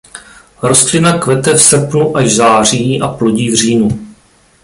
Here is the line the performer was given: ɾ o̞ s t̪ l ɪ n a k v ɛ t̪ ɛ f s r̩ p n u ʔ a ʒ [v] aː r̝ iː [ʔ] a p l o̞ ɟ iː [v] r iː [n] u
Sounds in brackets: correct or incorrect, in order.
incorrect: z, correct, correct, correct

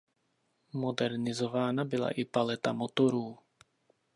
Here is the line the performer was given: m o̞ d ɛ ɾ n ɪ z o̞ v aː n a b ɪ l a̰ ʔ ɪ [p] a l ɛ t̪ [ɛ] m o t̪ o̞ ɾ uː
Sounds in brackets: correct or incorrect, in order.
correct, incorrect: a

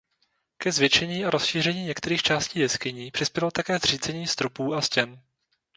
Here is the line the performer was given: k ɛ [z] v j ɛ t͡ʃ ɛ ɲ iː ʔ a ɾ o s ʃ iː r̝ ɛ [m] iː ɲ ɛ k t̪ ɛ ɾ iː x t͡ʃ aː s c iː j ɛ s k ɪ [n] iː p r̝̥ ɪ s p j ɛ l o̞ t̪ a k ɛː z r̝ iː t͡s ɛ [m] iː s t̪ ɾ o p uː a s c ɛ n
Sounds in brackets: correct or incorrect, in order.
correct, incorrect: ɲ, incorrect: ɲ, incorrect: ɲ

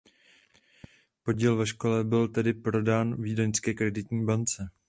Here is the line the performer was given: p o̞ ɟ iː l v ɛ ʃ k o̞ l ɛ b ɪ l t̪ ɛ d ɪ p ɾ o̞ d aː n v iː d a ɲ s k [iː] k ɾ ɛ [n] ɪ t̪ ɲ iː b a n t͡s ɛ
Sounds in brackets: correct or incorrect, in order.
incorrect: ɛː, incorrect: d

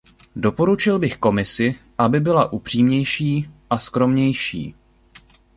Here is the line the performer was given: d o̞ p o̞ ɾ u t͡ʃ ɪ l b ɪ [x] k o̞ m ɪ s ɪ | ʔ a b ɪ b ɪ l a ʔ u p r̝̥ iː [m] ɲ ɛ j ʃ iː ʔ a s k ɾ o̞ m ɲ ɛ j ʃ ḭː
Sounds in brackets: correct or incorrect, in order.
correct, correct

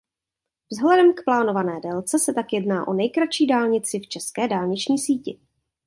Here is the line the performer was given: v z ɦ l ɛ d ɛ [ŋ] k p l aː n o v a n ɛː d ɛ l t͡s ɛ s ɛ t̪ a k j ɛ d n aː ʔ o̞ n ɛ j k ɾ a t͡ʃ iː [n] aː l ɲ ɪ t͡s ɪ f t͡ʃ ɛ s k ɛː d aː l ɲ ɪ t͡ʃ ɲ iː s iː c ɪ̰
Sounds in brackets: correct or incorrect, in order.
incorrect: m, incorrect: d

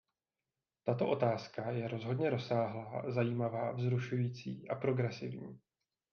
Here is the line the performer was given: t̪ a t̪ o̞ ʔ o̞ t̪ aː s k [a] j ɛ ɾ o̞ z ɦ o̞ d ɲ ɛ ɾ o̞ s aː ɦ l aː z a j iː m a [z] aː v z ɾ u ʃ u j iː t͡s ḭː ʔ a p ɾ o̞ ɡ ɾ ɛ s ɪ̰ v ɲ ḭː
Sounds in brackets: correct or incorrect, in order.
correct, incorrect: v

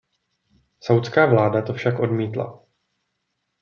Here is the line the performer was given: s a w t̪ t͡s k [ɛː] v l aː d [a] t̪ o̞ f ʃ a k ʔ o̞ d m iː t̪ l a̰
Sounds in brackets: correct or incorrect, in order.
incorrect: aː, correct

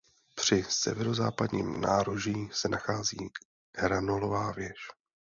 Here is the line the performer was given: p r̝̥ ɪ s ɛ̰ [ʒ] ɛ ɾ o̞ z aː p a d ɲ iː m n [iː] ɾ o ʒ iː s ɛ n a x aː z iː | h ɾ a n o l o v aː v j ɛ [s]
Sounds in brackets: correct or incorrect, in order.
incorrect: v, incorrect: aː, incorrect: ʃ

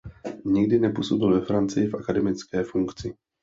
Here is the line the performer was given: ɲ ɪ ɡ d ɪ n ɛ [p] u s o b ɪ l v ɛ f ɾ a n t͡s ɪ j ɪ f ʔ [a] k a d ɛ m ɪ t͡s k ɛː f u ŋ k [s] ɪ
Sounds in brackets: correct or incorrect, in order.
correct, correct, incorrect: t͡s

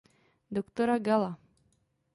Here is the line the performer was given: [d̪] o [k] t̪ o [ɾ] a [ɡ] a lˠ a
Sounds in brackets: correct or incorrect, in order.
correct, correct, correct, correct

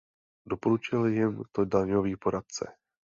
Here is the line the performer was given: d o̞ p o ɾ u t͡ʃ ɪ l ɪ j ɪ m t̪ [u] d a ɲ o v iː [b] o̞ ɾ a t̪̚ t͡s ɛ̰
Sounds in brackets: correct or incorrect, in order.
incorrect: o, incorrect: p

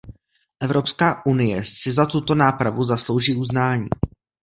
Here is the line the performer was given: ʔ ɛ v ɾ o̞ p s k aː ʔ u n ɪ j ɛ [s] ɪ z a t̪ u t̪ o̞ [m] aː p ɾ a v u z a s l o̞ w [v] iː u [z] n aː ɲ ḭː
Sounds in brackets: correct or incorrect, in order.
correct, incorrect: n, incorrect: ʒ, correct

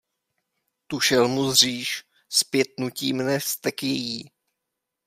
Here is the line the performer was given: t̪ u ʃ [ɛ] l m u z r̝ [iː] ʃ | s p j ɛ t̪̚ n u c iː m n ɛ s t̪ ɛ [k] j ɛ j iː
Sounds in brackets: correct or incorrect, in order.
correct, correct, correct

